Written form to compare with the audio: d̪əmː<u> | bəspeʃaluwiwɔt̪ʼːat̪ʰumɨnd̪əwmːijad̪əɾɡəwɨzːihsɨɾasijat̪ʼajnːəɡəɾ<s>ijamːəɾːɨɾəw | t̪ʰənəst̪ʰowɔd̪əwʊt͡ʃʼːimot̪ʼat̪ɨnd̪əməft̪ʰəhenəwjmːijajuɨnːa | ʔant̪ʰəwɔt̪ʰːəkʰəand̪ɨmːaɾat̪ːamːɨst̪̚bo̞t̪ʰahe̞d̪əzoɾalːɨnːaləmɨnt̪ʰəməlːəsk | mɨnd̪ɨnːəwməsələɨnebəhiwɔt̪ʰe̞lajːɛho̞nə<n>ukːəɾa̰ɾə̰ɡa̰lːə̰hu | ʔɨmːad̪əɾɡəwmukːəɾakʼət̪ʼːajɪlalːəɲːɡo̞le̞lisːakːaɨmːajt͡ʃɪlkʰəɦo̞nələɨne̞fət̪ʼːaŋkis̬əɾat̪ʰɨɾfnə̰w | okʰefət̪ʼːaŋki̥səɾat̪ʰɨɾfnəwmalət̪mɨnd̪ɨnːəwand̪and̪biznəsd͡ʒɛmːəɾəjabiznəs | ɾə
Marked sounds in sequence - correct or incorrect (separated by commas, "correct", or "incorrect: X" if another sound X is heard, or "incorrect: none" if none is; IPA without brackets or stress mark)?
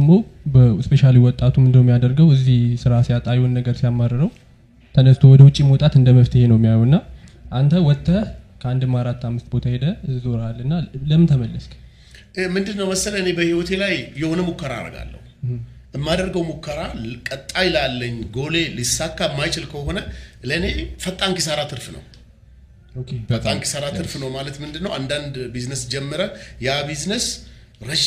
incorrect: o, correct, incorrect: m